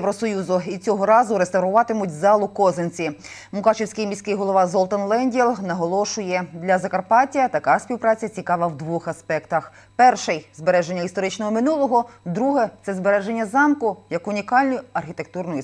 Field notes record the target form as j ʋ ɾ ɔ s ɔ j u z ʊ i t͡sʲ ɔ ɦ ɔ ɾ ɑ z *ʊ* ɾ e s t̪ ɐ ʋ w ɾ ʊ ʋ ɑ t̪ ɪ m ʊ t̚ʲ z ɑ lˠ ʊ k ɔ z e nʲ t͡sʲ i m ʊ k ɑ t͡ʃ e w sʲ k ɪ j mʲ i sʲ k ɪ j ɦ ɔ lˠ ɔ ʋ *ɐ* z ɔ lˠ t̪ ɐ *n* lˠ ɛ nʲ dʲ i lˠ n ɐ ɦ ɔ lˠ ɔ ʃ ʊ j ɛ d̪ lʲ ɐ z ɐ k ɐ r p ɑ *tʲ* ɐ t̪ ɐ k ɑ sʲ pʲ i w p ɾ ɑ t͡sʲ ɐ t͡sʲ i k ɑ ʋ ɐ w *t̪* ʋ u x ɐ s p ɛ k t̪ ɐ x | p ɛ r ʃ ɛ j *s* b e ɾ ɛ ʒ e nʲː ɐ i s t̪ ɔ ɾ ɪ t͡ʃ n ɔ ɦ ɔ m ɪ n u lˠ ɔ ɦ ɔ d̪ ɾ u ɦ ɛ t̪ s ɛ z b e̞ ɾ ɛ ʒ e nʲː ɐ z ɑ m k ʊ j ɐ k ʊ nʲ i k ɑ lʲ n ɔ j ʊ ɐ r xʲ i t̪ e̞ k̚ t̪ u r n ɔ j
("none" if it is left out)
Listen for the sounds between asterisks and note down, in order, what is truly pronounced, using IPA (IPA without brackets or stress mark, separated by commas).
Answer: ʊ, ɑ, n, tʲ, d̪, z